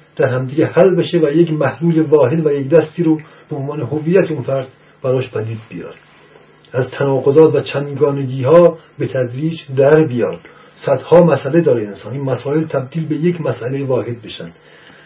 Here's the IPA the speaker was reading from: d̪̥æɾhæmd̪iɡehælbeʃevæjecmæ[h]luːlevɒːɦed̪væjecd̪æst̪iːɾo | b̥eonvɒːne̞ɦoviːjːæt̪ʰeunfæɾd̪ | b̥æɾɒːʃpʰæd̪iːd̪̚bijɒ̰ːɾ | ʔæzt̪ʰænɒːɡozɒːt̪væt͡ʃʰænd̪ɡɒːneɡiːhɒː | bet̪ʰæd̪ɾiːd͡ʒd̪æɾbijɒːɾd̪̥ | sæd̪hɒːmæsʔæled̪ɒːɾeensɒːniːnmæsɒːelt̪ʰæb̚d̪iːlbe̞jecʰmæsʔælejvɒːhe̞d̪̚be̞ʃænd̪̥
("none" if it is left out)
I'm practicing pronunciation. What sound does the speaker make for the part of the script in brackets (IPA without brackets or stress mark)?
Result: h